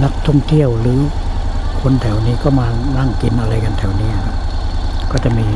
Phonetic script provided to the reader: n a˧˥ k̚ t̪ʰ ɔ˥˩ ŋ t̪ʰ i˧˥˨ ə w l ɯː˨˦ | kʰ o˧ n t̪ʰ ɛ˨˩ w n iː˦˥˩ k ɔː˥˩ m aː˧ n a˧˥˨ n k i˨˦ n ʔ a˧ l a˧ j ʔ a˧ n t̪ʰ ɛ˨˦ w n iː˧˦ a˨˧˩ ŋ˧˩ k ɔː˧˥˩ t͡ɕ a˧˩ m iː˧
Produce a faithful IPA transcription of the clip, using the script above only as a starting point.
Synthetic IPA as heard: n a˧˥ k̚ t̪ʰ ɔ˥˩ ŋ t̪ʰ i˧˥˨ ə w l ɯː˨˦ | kʰ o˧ n t̪ʰ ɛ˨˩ w n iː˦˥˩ k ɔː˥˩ m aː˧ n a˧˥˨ ŋ k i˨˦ n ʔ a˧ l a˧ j k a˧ n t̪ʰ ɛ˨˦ w n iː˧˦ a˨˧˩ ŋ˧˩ k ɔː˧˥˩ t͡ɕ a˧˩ m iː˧